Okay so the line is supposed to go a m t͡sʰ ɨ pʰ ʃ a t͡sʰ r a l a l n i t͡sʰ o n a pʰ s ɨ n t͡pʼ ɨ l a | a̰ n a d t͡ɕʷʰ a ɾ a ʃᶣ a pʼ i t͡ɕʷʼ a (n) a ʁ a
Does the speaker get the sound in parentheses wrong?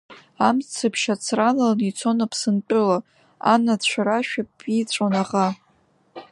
no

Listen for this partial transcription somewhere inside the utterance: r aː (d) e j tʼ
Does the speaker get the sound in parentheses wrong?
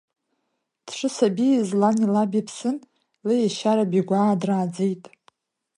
yes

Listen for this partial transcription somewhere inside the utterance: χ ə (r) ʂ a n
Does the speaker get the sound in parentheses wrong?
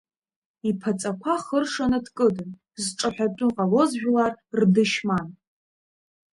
no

